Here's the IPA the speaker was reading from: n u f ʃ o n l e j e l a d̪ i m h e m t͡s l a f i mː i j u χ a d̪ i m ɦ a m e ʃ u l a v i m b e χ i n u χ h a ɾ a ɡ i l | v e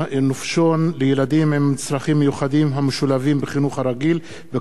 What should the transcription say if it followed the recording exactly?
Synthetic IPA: n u f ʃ o n l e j e l a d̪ i m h e m t͡s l a χ i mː e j u χ a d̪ i m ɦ a m e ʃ u l a v i m b e χ i n u χ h a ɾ a ɡ i l | v e